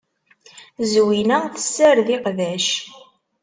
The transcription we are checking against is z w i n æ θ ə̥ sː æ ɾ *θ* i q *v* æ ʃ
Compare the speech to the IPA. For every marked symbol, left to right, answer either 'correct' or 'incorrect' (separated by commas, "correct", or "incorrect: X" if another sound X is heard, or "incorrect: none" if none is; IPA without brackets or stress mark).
incorrect: ð, incorrect: ð